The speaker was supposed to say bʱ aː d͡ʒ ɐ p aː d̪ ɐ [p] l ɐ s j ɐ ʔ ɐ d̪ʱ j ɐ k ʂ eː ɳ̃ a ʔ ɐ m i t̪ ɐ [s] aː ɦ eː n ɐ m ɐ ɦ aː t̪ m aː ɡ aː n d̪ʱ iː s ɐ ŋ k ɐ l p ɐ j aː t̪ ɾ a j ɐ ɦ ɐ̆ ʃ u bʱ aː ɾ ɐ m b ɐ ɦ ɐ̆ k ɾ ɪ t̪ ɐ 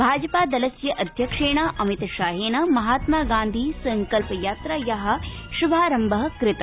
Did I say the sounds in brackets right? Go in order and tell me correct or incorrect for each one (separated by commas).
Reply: incorrect, incorrect